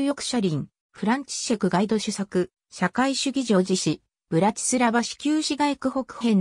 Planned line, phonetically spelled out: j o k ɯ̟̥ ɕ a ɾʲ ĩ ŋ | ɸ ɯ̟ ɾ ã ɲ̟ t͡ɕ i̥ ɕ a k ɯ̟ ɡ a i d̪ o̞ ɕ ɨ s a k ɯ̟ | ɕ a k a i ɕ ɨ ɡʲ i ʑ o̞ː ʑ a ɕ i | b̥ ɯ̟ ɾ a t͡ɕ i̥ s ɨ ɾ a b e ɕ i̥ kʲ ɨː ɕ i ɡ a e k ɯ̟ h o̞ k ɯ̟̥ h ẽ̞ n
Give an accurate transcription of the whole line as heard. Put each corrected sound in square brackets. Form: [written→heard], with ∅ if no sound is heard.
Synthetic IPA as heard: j o k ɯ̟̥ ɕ a ɾʲ ĩ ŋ | ɸ ɯ̟ ɾ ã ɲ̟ t͡ɕ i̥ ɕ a k ɯ̟ ɡ a i d̪ o̞ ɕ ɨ s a k ɯ̟ | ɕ a k a i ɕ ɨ ɡʲ i ʑ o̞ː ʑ [a→i] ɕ i | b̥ ɯ̟ ɾ a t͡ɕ i̥ s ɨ ɾ a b [e→a] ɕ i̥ kʲ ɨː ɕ i ɡ a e k ɯ̟ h o̞ k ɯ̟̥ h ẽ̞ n

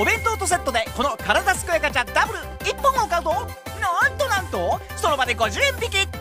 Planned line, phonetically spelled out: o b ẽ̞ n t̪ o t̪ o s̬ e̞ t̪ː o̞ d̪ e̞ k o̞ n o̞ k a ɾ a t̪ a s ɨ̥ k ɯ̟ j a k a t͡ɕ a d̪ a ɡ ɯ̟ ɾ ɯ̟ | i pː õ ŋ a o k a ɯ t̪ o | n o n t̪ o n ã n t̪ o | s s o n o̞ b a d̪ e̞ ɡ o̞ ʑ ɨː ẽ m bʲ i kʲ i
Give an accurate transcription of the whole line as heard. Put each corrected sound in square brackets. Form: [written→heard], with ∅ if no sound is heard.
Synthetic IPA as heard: o b ẽ̞ n t̪ o t̪ o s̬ e̞ t̪ː o̞ d̪ e̞ k o̞ n o̞ k a ɾ a [t̪→d̪] a s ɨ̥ k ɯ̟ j a k a t͡ɕ a d̪ a [ɡ→b] ɯ̟ ɾ ɯ̟ | i pː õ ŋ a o k a ɯ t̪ o | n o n t̪ o n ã n t̪ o | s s o n o̞ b a d̪ e̞ ɡ o̞ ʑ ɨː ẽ m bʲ i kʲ i

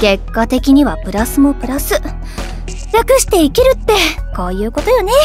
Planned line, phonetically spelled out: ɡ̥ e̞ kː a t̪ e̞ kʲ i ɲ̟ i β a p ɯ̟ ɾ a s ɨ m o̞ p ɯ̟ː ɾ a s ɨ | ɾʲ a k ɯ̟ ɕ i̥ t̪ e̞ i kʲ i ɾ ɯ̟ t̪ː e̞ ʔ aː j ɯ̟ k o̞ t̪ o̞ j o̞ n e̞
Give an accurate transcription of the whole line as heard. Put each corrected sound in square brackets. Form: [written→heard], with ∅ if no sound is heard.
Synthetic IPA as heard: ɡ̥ e̞ kː a t̪ e̞ kʲ i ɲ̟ i β a p ɯ̟ ɾ a s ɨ m o̞ p [ɯ̟ː→ɯ̟] ɾ a s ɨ | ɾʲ a k ɯ̟ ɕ i̥ t̪ e̞ i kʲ i ɾ ɯ̟ t̪ː e̞ [ʔ→k] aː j [ɯ̟→ɯ̟ː] k o̞ t̪ o̞ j o̞ n e̞

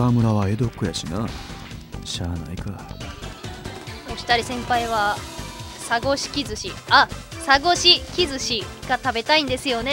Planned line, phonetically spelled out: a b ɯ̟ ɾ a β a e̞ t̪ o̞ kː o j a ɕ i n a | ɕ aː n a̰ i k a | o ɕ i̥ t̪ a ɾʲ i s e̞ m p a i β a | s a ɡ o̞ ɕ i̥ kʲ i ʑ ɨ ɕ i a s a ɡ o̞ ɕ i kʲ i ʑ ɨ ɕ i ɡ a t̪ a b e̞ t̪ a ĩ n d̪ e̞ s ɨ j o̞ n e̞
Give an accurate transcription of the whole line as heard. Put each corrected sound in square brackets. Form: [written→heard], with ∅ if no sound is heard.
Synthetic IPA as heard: a [b→m] ɯ̟ ɾ a β a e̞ [t̪→d̪] o̞ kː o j a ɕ i n a | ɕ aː n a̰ i k a | o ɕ i̥ t̪ a ɾʲ i s [e̞→ẽ̞] m p a i β a | s a ɡ o̞ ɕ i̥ kʲ i [ʑ→z] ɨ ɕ i a s a ɡ o̞ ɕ i kʲ i [ʑ→z] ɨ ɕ i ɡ a t̪ a b e̞ t̪ a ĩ n d̪ e̞ s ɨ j o̞ n e̞

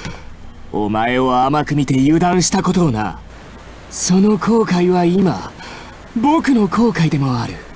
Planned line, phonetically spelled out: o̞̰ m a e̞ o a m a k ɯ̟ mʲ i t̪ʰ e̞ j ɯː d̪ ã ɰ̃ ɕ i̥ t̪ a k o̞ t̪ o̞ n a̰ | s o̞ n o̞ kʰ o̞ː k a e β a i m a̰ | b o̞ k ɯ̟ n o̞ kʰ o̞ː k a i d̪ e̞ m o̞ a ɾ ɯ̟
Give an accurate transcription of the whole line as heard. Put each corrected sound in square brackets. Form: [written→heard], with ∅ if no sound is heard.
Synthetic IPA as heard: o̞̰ m a e̞ o a m a k ɯ̟ mʲ i [t̪ʰ→t̪] e̞ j ɯː d̪ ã ɰ̃ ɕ i̥ t̪ a k o̞ t̪ o̞ n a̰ | s o̞ n o̞ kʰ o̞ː k a [e→i] β a i m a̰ | b o̞ k ɯ̟ n o̞ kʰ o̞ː k a i d̪ e̞ m o̞ a ɾ ɯ̟

